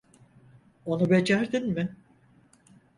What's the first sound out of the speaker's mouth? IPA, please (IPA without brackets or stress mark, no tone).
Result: o̞